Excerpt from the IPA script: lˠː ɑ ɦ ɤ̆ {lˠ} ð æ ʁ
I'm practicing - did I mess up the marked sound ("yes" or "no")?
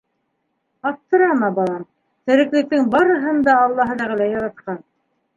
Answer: yes